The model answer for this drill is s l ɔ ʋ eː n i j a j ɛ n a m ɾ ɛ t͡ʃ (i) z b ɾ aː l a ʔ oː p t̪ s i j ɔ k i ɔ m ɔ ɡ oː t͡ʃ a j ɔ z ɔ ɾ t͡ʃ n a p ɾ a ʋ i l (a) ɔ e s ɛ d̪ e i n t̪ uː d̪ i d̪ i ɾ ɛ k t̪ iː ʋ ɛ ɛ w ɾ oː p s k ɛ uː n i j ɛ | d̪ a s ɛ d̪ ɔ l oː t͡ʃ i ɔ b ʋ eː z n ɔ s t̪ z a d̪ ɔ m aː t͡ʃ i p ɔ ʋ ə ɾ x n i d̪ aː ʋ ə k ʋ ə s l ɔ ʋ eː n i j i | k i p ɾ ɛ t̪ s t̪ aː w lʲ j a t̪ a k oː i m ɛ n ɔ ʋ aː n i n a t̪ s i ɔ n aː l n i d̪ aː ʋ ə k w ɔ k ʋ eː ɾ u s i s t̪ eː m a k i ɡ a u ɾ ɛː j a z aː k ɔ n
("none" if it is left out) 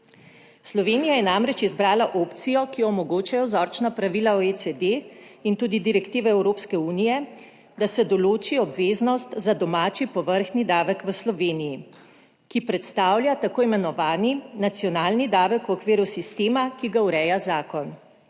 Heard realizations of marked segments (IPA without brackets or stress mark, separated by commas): i, a